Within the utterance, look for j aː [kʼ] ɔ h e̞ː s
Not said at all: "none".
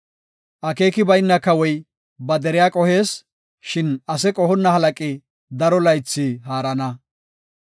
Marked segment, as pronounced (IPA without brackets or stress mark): kʼ